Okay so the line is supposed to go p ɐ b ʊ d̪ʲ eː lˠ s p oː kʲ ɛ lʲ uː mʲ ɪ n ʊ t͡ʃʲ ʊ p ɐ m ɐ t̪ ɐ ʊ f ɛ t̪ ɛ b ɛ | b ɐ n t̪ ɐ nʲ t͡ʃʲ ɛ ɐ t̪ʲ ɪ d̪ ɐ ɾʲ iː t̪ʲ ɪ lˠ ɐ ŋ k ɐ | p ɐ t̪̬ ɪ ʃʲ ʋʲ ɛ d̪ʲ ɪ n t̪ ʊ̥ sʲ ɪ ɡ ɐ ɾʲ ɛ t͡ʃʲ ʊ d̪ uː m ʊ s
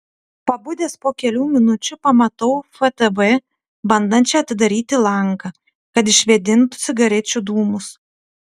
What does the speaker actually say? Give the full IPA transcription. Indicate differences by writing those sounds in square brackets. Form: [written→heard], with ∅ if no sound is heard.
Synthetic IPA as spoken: p ɐ b ʊ d̪ʲ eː [lˠ→∅] s p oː kʲ ɛ lʲ uː mʲ ɪ n ʊ t͡ʃʲ ʊ p ɐ m ɐ t̪ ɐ ʊ f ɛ t̪ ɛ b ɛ | b ɐ n [t̪→d̪] ɐ nʲ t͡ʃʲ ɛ ɐ t̪ʲ ɪ d̪ ɐ ɾʲ iː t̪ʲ ɪ lˠ ɐ ŋ k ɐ | [p→k] ɐ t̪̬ ɪ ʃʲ ʋʲ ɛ d̪ʲ ɪ n t̪ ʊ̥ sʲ ɪ ɡ ɐ ɾʲ ɛ t͡ʃʲ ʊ d̪ uː m ʊ s